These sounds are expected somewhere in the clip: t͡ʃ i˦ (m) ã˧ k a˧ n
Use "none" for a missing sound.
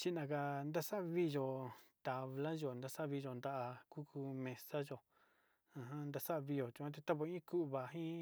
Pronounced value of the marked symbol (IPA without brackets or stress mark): n